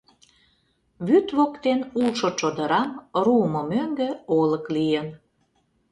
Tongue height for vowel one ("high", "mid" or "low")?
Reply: high